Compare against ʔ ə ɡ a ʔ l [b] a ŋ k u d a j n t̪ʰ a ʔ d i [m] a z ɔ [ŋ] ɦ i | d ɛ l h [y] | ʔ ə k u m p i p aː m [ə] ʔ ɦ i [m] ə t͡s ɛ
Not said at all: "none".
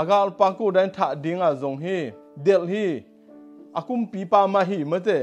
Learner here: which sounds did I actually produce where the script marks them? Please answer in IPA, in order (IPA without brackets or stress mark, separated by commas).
p, ŋ, ŋ, i, a, m